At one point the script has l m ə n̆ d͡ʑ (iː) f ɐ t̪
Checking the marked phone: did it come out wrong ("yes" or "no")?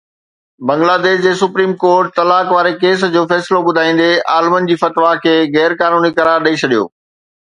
no